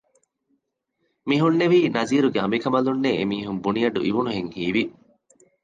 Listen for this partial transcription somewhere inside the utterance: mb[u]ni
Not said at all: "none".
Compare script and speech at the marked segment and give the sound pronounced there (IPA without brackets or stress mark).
u